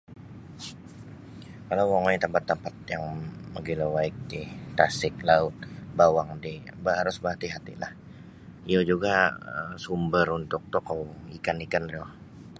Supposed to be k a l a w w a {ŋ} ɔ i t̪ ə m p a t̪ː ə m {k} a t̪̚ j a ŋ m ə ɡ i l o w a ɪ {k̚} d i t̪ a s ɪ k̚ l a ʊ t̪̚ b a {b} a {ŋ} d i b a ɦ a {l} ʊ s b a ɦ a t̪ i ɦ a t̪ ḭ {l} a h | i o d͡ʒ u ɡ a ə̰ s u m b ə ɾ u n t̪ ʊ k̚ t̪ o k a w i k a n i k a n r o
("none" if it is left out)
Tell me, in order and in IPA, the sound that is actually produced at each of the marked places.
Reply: ŋ, p, k̚, w, ŋ, ɾ, l

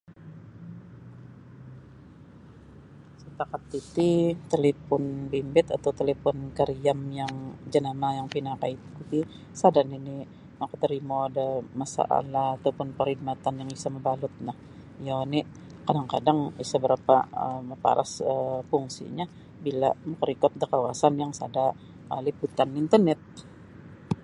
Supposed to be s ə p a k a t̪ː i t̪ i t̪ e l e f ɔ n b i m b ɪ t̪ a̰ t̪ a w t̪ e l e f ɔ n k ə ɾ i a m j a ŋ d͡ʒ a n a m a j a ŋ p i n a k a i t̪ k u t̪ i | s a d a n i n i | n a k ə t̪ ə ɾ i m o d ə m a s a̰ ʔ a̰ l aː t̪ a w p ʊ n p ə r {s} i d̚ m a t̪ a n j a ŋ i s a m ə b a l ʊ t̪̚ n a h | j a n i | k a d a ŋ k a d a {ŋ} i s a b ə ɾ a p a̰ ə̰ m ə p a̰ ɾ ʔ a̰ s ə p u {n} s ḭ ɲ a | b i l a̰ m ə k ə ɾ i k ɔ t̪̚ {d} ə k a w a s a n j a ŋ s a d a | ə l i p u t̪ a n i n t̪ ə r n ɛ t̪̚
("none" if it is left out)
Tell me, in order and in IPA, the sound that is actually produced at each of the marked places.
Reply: h, ŋ, ŋ, d

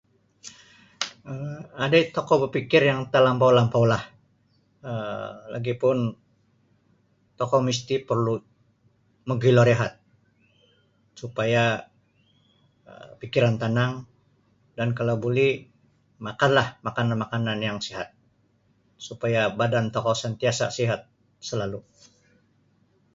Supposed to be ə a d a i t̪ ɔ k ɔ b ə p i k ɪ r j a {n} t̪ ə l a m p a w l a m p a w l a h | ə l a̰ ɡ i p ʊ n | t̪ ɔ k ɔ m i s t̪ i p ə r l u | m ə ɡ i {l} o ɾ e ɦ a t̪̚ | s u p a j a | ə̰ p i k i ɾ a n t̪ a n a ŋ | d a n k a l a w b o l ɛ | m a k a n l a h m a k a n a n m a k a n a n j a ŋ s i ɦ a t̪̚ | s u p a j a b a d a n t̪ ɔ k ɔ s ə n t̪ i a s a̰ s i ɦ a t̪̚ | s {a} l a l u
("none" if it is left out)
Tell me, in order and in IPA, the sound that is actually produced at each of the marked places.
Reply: ŋ, l, ə

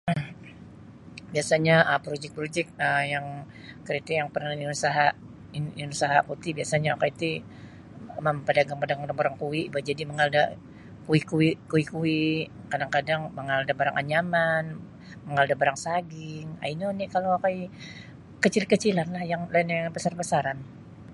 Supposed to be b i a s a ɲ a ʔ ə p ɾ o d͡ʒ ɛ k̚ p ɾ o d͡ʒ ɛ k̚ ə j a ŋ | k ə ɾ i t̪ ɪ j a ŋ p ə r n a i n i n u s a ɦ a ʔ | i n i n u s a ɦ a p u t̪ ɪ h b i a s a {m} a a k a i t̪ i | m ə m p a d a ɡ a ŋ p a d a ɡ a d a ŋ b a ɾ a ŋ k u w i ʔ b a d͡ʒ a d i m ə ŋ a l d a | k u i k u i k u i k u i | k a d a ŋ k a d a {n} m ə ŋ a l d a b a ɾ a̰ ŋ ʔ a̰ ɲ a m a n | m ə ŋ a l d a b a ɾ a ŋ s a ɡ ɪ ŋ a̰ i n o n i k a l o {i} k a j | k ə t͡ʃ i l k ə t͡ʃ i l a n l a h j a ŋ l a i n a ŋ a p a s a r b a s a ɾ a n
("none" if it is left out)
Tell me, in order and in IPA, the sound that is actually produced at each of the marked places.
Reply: ɲ, ŋ, a

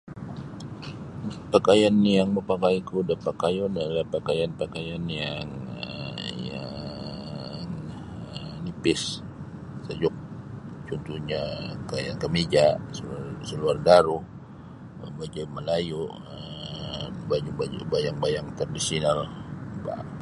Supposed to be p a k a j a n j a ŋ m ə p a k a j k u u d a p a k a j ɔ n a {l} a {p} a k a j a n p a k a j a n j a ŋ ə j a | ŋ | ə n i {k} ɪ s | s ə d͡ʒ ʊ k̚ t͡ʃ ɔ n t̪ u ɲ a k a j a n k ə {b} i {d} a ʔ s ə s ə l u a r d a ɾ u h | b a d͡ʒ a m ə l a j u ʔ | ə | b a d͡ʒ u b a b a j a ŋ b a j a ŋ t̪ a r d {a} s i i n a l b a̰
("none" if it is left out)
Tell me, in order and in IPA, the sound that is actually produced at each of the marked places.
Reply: l, p, p, m, d͡ʒ, i

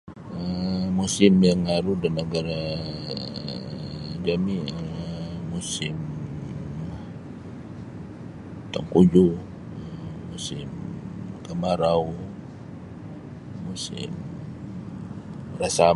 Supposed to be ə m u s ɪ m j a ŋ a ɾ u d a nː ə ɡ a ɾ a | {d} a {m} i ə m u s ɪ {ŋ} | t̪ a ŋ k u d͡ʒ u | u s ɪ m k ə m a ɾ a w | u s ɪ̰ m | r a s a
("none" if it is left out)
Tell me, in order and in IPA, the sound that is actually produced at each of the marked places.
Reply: d͡ʒ, m, m

